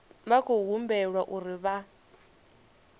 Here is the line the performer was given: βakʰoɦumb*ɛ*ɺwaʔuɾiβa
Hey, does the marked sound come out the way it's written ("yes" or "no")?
yes